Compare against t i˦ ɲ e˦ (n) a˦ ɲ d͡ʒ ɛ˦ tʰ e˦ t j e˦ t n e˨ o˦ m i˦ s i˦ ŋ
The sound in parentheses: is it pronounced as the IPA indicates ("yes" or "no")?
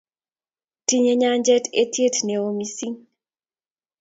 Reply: no